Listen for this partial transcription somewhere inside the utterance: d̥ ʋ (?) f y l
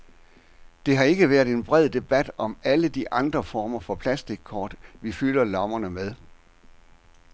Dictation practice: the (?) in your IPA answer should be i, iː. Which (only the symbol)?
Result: i